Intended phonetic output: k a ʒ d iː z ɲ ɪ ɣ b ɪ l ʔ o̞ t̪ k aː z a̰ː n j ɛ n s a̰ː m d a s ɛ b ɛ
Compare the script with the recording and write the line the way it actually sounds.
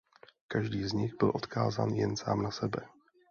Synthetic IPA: k a ʒ d iː z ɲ ɪ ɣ b ɪ l ʔ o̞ t̪ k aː z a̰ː n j ɛ n s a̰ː m n a s ɛ b ɛ